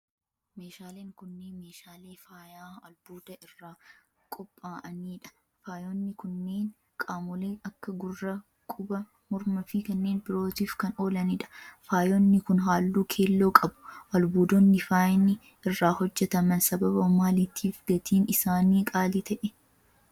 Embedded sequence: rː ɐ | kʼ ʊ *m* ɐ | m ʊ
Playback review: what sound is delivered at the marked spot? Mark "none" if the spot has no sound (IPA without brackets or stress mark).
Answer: b